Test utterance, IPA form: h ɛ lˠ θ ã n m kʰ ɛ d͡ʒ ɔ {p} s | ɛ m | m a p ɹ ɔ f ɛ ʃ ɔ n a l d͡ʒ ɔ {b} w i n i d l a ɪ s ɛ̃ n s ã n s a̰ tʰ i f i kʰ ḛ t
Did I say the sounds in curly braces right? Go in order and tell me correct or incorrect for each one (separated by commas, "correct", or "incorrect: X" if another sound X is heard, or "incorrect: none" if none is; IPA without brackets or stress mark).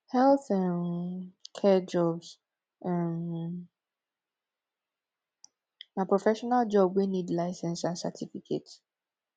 incorrect: b, correct